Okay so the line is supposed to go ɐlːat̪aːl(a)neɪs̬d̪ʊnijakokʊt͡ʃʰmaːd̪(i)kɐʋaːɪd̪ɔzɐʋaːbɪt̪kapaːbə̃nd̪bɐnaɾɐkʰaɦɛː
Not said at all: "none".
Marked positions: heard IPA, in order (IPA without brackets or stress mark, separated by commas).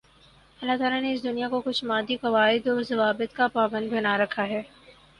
a, i